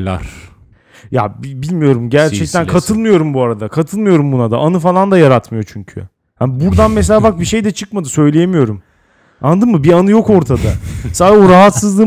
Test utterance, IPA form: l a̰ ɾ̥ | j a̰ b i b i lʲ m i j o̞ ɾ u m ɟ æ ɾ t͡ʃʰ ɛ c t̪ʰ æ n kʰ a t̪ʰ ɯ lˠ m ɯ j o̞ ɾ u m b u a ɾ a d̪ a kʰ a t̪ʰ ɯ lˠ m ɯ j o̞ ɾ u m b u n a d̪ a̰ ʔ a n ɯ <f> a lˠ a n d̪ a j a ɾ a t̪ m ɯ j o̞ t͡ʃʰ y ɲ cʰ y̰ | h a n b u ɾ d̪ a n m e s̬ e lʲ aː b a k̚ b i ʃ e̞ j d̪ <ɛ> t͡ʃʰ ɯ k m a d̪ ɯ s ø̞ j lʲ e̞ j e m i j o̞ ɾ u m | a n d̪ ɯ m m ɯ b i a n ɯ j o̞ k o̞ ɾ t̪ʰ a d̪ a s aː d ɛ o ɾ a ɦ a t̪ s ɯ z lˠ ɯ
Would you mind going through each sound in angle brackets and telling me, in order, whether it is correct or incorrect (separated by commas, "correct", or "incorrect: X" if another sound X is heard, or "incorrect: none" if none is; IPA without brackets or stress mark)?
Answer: correct, correct